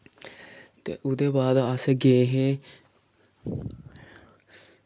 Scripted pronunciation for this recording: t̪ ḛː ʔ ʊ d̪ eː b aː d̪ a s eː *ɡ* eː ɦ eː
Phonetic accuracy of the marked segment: correct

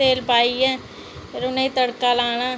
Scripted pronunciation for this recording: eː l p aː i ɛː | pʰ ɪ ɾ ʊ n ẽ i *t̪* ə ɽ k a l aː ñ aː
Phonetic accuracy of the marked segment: correct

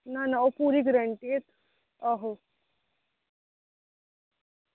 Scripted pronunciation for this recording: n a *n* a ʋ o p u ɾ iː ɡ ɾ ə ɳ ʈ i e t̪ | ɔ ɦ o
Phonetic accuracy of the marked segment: correct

